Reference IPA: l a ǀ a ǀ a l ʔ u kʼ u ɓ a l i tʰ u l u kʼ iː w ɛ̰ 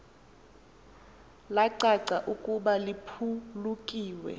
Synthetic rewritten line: l a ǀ a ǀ a ʔ u kʼ u ɓ a l i pʰ u l u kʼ iː w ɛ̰